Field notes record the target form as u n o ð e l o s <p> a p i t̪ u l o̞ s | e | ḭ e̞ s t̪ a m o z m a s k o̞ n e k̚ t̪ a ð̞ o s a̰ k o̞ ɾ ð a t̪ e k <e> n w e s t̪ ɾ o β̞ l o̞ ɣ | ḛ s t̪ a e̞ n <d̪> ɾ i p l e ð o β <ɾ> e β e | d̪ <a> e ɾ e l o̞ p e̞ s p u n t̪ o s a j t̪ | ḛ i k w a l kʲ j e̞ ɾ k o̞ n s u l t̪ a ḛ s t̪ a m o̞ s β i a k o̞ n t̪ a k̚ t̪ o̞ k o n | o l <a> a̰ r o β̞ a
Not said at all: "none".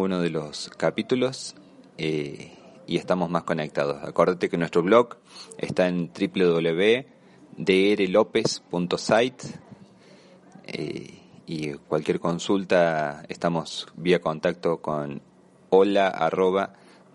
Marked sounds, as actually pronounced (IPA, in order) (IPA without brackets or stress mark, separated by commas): k, e, t̪, l, e, a